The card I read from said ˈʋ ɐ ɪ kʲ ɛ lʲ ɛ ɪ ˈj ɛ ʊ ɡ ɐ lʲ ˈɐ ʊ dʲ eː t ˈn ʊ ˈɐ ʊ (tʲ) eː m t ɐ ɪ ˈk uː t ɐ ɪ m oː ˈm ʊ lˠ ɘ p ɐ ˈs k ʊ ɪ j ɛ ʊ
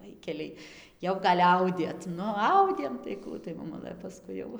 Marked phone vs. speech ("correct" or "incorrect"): incorrect